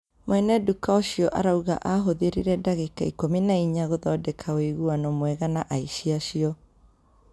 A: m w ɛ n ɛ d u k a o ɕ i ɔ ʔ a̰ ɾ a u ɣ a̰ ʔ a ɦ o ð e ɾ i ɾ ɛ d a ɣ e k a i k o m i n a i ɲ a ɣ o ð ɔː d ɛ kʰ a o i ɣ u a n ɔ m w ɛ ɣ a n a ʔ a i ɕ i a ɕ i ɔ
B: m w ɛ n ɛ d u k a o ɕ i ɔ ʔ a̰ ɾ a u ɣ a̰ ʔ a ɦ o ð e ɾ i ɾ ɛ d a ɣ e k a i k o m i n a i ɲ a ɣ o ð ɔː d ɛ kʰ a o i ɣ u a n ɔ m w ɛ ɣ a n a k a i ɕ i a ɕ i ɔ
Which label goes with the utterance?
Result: A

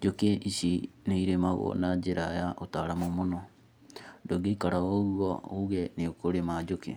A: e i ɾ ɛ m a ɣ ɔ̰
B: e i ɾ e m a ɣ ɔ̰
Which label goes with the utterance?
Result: B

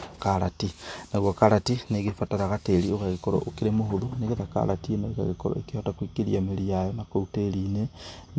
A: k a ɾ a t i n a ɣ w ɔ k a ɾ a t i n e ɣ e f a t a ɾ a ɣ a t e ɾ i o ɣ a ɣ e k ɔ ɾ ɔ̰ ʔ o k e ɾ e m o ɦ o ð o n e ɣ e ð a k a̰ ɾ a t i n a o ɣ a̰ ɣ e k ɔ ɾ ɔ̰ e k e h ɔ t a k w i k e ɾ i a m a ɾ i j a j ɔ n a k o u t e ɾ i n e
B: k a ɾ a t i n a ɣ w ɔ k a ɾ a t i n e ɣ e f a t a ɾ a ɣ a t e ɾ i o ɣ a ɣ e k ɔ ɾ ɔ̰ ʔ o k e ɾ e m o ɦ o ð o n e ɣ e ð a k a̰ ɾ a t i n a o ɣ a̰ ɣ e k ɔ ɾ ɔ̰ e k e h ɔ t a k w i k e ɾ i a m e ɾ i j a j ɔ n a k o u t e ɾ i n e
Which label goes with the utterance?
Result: B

